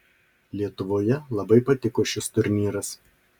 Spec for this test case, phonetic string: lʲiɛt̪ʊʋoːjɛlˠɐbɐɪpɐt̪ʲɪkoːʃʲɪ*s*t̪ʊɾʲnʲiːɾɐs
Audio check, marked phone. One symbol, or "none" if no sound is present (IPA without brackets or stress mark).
s